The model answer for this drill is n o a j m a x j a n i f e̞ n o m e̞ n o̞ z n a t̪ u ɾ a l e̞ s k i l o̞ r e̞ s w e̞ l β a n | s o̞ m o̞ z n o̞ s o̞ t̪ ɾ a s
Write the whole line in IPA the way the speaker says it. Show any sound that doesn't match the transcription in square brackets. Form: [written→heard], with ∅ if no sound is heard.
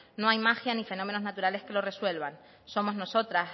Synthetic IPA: n o a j m a x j a n i f e̞ n o m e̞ n o̞ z n a t̪ u ɾ a l e̞ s k [i→e] l o̞ r e̞ s w e̞ l β a n | s o̞ m o̞ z n o̞ s o̞ t̪ ɾ a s